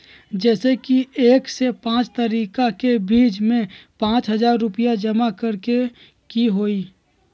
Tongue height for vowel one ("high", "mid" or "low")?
mid